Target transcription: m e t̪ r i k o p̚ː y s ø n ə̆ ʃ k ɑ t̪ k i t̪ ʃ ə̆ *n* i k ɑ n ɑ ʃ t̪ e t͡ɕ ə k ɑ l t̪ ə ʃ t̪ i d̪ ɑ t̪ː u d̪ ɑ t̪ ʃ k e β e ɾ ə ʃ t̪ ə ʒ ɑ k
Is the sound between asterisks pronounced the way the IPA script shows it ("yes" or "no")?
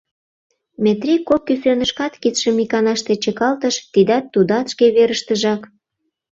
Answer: no